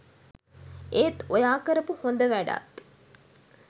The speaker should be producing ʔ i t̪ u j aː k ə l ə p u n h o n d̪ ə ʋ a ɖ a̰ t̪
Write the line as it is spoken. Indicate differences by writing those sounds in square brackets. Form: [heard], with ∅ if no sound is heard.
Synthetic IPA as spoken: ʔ [e] t̪ [o] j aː k ə [ɾ] ə p u [∅] h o n d̪ ə ʋ [æ] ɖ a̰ t̪